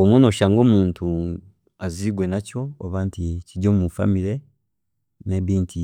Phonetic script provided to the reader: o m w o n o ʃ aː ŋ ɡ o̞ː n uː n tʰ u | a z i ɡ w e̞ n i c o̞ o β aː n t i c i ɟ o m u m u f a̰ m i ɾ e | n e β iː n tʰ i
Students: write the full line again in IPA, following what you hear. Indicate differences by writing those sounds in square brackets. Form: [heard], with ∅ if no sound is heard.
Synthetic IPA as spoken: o m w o n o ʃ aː ŋ ɡ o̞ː [m] uː n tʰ u | a z i ɡ w e̞ n [a] c o̞ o β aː n t i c i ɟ o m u m u f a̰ m i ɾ e | n e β iː n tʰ i

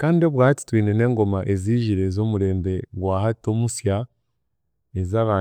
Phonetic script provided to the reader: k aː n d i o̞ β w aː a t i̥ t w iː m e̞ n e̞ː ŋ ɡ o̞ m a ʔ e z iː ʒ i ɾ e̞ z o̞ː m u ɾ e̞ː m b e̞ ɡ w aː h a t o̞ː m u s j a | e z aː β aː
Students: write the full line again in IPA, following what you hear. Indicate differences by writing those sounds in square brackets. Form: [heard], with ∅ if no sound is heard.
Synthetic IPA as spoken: k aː n d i o̞ β w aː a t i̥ t w iː [n] e̞ n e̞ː ŋ ɡ o̞ m a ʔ e z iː ʒ i ɾ e̞ z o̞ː m u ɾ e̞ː m b e̞ ɡ w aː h a t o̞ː m u s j a | e z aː β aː

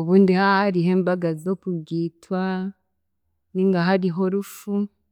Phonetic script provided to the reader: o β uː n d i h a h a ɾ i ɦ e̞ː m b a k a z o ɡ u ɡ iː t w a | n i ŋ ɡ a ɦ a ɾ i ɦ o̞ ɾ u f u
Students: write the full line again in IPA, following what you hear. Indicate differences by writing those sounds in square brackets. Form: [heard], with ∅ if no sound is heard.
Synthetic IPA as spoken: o β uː n d i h a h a ɾ i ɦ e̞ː m b a [ɡ] a z o [k] u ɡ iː t w a | n i ŋ ɡ a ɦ a ɾ i ɦ o̞ ɾ u f u

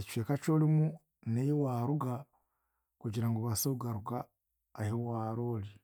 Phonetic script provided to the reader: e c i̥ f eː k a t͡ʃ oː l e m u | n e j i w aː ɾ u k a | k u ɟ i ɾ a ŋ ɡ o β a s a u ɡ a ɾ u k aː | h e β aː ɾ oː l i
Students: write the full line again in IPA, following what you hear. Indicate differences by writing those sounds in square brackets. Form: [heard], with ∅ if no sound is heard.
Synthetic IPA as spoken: e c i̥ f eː k a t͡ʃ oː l [i] m u | n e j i w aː ɾ u [ɡ] a | k u ɟ i ɾ a ŋ ɡ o β a s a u ɡ a ɾ u [ɡ] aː | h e [w] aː ɾ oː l i

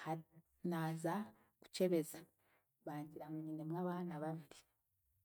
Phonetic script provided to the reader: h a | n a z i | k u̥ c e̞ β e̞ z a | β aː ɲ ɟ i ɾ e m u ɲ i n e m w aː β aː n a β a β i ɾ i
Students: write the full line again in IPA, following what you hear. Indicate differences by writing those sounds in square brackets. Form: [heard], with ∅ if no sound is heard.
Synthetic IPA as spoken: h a | n a z [a] | k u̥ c e̞ β e̞ z a | β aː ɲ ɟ i ɾ [a] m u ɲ i n e m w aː β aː n a β a β i ɾ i

